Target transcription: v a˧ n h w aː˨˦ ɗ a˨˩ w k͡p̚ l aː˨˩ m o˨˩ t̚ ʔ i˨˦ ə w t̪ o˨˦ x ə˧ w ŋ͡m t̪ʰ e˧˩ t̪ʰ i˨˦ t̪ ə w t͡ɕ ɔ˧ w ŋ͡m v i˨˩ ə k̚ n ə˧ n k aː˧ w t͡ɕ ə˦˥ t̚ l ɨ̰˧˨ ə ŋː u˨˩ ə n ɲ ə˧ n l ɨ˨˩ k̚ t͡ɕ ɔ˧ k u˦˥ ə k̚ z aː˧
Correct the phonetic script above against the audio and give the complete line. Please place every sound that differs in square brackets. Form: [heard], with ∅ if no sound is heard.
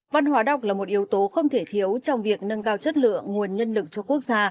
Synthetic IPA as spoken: v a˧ n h w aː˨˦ ɗ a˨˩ w k͡p̚ l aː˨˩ m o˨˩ t̚ ʔ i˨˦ ə w t̪ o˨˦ x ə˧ w ŋ͡m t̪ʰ e˧˩ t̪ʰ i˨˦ [∅] ə w t͡ɕ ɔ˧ w ŋ͡m v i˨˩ ə k̚ n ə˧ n k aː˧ w t͡ɕ ə˦˥ t̚ l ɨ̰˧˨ ə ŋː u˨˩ ə n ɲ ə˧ n l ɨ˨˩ k̚ t͡ɕ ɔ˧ k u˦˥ ə k̚ z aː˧